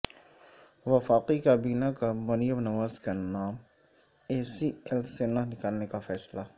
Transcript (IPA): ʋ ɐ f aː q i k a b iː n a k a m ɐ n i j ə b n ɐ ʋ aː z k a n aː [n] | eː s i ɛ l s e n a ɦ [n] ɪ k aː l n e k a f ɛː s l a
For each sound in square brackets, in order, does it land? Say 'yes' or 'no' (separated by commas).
no, yes